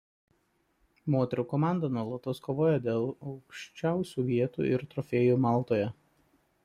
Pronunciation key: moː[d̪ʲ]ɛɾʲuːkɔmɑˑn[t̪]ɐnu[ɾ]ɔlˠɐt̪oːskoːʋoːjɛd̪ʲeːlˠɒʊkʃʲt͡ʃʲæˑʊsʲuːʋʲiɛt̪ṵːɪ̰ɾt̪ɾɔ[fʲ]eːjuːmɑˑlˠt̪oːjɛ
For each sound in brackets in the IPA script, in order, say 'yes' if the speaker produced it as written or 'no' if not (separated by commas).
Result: no, no, no, yes